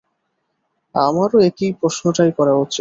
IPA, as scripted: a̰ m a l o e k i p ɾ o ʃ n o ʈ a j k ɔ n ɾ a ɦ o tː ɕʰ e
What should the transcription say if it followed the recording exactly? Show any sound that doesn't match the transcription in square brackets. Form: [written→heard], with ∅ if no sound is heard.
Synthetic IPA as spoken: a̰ m a [l→ɾ] o e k i p ɾ o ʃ n o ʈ a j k ɔ [n→∅] ɾ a ɦ o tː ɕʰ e